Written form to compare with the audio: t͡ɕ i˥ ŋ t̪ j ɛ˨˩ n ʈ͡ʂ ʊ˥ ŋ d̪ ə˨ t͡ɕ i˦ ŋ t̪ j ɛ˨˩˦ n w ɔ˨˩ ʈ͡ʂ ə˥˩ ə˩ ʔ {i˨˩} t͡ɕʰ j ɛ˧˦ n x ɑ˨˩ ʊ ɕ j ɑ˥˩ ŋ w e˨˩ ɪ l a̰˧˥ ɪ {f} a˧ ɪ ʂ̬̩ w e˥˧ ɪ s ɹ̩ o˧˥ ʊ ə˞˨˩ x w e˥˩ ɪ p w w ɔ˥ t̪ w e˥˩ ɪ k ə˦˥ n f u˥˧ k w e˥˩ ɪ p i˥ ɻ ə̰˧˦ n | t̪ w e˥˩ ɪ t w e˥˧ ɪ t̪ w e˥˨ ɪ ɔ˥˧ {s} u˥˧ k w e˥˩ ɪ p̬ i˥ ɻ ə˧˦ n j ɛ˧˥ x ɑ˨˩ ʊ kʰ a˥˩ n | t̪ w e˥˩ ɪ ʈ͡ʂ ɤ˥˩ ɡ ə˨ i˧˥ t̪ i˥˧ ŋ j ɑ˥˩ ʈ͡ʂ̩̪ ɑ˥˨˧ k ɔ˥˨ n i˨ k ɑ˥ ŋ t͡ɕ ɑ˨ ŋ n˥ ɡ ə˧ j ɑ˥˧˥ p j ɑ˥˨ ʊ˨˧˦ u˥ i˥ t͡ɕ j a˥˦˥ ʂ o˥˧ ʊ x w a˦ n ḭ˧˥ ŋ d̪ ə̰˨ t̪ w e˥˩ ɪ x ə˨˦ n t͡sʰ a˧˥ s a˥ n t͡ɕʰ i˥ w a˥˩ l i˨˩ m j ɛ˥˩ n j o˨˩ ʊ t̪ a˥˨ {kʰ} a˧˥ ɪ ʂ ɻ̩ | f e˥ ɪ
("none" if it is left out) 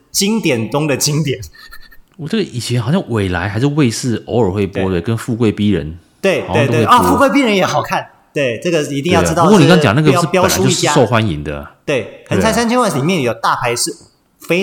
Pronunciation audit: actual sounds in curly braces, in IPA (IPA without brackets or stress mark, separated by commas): i˨˩, x, f, pʰ